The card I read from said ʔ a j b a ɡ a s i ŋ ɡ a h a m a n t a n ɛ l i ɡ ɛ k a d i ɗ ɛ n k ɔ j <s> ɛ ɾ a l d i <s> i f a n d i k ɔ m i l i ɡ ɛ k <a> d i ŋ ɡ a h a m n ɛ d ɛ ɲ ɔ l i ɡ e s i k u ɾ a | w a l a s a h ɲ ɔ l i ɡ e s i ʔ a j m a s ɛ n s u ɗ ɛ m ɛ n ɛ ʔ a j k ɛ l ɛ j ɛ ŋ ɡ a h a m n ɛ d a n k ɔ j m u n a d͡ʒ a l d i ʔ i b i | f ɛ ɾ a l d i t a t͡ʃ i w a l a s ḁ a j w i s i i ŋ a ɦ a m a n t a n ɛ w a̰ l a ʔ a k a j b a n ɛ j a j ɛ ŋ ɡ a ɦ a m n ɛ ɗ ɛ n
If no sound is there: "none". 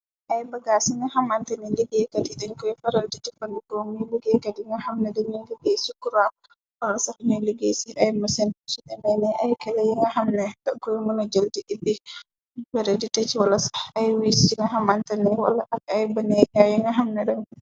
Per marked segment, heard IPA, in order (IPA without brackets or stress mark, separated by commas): f, t, a